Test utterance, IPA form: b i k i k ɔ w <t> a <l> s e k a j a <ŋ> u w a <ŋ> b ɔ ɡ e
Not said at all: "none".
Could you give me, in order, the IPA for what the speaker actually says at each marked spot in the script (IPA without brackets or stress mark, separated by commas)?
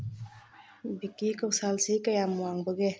s, l, m, ŋ